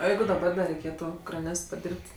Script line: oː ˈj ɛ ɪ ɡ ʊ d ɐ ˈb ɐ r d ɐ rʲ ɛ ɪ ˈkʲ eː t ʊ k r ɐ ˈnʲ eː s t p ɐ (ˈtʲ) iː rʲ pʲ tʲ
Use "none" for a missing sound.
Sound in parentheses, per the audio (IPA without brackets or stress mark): dʲ